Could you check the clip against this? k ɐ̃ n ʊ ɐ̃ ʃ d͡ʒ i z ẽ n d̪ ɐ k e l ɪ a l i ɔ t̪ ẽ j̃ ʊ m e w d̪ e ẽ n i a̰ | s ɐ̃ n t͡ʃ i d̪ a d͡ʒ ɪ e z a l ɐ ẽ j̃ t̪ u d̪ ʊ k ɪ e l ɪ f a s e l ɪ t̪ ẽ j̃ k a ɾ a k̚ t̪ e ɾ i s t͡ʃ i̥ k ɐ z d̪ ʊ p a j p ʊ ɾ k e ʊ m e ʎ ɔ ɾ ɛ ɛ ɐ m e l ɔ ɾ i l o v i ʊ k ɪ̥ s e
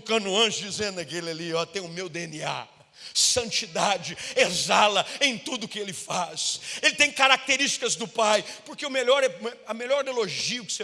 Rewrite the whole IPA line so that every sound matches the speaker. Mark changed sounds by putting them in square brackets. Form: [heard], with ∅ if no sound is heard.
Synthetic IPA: k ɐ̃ n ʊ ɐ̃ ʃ d͡ʒ i z ẽ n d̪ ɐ k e l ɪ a l i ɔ t̪ ẽ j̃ ʊ m e w d̪ e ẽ n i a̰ | s ɐ̃ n t͡ʃ i d̪ a d͡ʒ ɪ e z a l ɐ ẽ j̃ t̪ u d̪ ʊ k ɪ e l ɪ f a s e l ɪ t̪ ẽ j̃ k a ɾ a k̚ t̪ e ɾ i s t͡ʃ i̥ k ɐ z d̪ ʊ p a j p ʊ ɾ k e ʊ m e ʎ ɔ ɾ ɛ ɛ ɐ m e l ɔ ɾ [e] l o [ʒ] i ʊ k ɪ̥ s e